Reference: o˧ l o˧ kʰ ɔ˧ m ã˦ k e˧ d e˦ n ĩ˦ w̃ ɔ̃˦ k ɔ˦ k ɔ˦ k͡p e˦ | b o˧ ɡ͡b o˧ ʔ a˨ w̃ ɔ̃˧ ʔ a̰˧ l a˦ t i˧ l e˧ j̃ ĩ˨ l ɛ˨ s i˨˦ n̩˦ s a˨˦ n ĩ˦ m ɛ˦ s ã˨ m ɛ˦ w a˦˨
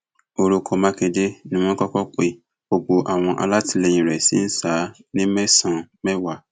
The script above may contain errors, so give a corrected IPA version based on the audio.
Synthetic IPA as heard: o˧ ɾ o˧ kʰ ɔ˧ m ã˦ k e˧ d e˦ n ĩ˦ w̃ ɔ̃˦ k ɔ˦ k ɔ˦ k͡p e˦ | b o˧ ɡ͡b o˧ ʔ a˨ w̃ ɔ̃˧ ʔ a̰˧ l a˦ t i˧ l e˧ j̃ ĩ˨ ɾ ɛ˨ s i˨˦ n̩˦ s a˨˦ n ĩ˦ m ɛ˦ s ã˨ m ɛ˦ w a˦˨

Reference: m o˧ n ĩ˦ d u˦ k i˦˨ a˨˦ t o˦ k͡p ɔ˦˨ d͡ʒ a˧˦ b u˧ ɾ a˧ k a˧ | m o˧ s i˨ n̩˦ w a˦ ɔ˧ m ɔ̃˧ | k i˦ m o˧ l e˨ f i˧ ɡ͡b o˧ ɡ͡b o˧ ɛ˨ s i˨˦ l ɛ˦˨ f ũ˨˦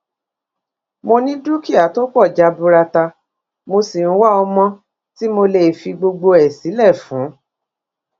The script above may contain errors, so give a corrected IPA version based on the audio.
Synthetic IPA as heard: m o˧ n ĩ˦ d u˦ k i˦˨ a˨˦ t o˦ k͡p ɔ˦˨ d͡ʒ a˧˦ b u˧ ɾ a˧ t a˧ | m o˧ s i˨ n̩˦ w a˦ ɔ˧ m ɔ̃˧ | t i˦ m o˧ l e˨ f i˧ ɡ͡b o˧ ɡ͡b o˧ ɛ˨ s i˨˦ l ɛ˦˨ f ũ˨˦

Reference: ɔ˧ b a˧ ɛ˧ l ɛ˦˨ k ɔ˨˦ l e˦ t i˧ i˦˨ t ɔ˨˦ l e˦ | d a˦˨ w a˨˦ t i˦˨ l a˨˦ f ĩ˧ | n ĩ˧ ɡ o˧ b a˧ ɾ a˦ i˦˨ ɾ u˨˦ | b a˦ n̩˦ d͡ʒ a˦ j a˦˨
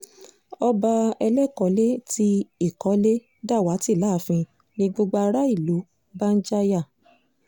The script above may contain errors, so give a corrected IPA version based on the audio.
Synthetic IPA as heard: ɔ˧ b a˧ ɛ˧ l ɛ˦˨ k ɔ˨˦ l e˦ t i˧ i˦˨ k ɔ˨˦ l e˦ | d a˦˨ w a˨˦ t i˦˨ l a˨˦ f ĩ˧ | n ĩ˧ ɡ͡b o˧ ɡ͡b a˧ ɾ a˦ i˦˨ l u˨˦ | b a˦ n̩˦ d͡ʒ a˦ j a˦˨

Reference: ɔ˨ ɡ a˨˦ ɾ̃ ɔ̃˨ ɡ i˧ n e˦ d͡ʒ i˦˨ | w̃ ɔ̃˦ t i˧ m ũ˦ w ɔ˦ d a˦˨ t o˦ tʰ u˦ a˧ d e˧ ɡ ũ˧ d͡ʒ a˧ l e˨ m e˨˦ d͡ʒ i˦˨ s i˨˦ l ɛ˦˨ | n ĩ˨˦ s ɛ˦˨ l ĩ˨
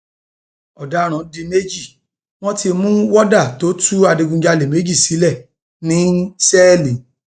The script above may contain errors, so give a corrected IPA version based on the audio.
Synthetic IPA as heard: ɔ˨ d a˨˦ ɾ̃ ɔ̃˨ d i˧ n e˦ d͡ʒ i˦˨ | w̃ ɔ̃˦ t i˧ m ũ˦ w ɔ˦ d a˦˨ t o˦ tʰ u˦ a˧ d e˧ ɡ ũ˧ d͡ʒ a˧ l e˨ m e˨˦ d͡ʒ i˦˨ s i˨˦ l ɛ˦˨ | n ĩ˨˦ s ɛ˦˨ l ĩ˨

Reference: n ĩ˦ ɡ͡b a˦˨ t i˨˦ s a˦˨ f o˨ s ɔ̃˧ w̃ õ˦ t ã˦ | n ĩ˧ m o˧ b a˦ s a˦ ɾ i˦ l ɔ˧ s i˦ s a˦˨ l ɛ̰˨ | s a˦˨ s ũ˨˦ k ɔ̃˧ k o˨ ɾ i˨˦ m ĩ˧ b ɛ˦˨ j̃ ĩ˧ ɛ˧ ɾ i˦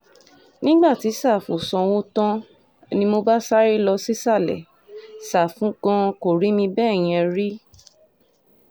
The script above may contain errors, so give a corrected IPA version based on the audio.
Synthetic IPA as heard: n ĩ˦ ɡ͡b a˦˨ t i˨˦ s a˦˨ f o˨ s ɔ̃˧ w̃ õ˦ t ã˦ | n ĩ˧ m o˧ b a˦ s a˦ ɾ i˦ l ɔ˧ s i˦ s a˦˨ l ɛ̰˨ | s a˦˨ f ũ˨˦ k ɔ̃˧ k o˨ ɾ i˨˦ m ĩ˧ b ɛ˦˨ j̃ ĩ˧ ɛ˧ ɾ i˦

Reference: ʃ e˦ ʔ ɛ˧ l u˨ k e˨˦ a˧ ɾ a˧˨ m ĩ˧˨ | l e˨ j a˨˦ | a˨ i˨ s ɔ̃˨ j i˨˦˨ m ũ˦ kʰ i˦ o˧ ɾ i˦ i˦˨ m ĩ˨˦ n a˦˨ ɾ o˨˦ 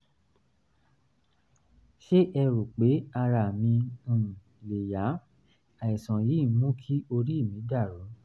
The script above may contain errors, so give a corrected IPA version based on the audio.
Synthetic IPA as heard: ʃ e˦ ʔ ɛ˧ ɾ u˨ k͡p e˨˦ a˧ ɾ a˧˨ m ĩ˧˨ | l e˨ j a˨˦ | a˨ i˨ s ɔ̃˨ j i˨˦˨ m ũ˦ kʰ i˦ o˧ ɾ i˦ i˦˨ m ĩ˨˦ d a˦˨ ɾ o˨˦

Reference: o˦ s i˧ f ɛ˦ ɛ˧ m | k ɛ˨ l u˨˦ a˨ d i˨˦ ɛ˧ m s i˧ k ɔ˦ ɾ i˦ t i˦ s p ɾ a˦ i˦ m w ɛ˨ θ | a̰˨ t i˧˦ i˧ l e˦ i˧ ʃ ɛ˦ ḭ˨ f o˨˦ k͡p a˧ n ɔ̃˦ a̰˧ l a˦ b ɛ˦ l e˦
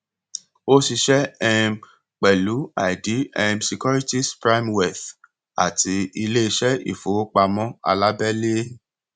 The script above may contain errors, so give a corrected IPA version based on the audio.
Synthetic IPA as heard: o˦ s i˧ ʃ ɛ˦ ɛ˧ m | k͡p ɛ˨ l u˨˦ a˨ d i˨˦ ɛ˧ m s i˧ k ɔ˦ ɾ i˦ t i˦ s p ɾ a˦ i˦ m w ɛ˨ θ | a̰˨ t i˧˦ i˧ l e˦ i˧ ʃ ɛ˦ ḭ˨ f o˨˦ k͡p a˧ m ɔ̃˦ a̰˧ l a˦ b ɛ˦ l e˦

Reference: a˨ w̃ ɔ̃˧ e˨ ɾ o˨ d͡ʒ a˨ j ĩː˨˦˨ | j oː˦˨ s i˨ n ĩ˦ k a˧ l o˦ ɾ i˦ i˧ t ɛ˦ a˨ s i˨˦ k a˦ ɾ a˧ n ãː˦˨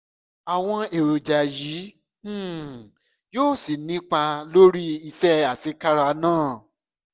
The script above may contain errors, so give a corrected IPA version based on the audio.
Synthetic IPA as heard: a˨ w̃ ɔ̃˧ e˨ ɾ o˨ d͡ʒ a˨ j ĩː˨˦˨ | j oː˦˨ s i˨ n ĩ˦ k͡p a˧ l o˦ ɾ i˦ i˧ s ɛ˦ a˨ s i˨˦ k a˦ ɾ a˧ n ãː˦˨

